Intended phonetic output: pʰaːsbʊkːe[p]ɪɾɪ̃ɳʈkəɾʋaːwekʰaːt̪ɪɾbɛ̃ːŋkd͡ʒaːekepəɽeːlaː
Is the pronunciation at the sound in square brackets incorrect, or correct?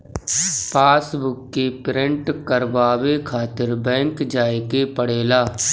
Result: correct